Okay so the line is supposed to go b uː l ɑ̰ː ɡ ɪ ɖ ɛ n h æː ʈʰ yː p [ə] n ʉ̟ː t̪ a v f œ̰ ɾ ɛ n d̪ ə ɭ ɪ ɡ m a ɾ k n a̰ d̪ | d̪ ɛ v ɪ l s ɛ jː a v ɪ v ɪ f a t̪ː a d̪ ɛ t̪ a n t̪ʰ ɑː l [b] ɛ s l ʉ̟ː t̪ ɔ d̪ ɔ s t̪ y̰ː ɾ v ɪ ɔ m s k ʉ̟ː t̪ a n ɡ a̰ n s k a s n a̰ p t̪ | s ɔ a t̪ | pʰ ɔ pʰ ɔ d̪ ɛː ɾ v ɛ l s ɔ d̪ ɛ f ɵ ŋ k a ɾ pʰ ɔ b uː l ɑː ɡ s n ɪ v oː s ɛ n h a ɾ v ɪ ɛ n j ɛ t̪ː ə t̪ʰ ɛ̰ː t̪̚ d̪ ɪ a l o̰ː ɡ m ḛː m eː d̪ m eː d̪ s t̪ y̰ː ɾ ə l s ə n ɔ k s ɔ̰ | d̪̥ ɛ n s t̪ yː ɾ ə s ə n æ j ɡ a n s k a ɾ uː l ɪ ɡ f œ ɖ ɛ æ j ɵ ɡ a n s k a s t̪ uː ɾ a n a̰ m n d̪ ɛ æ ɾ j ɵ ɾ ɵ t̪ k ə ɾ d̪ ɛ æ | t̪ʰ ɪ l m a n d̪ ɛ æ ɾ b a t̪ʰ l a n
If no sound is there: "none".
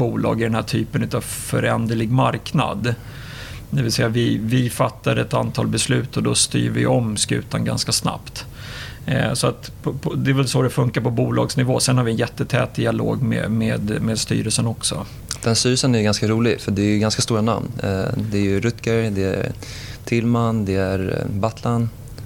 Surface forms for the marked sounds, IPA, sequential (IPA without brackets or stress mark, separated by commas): ə, b